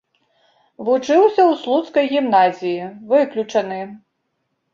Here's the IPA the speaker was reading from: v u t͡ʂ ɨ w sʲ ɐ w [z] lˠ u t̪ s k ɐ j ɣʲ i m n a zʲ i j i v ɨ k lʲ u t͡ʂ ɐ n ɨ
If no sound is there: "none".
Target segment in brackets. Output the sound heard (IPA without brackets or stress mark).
s